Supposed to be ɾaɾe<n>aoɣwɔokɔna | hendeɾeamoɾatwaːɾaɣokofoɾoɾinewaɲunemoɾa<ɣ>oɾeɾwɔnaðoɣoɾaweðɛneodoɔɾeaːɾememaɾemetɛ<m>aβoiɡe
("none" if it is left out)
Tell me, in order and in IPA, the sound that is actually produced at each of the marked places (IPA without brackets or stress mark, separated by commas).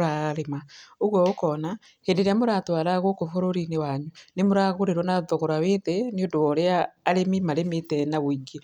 m, ɣ, n